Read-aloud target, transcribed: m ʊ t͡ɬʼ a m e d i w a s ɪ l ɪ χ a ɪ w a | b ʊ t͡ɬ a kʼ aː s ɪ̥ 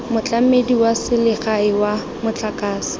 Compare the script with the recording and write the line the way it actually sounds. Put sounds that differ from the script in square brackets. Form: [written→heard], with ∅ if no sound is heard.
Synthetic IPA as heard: m ʊ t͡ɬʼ a m e d i w a s ɪ l ɪ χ a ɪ w a | [b→m] ʊ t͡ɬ a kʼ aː s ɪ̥